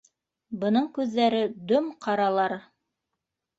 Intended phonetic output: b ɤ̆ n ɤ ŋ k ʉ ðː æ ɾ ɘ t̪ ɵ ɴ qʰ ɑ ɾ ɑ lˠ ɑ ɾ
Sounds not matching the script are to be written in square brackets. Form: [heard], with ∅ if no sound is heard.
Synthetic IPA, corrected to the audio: b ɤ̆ n ɤ [ɴ] k ʉ ðː æ ɾ ɘ [d̪] ɵ [m] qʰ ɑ ɾ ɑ lˠ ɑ ɾ